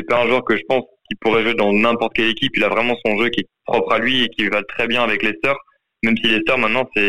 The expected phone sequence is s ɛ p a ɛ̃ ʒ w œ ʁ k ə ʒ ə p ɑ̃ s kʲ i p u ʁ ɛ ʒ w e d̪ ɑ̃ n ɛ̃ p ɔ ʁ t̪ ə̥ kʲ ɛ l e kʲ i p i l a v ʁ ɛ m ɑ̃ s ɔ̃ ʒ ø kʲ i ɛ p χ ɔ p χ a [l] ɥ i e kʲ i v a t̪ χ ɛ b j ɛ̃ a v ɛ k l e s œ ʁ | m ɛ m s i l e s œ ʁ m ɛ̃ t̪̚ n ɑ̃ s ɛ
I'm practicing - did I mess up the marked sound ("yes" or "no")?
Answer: no